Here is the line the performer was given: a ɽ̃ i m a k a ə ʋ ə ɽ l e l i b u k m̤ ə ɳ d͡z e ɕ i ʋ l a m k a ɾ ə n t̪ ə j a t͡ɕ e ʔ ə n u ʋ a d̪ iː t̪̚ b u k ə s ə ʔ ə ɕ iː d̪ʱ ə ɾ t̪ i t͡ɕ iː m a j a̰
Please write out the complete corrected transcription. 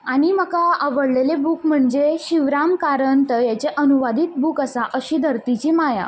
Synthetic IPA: a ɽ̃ i m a k a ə ʋ ə ɽ l e l e b u k m̤ ə ɳ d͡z e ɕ i ʋ ɾ a m k a ɾ ə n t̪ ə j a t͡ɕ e ʔ ə n u ʋ a d̪ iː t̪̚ b u k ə s a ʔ ə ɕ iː d̪ʱ ə ɾ t̪ i t͡ɕ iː m a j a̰